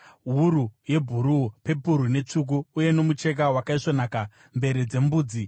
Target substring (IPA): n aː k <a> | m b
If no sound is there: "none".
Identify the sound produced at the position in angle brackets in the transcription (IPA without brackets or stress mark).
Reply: a